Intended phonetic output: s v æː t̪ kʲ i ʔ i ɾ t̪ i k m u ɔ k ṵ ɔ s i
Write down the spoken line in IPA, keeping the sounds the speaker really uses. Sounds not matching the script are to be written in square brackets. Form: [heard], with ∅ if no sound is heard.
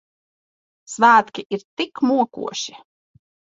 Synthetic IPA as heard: s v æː t̪ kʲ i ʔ i ɾ t̪ i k m u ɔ k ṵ ɔ [ʃ] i